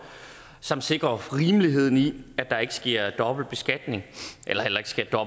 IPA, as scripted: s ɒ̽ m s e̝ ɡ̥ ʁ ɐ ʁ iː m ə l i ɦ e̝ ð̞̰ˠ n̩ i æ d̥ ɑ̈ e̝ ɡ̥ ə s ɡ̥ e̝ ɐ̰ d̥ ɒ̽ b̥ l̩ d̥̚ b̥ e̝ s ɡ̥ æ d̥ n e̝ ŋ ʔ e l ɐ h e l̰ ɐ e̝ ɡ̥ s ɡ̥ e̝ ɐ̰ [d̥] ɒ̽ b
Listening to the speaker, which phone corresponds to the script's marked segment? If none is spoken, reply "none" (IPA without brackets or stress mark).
d̥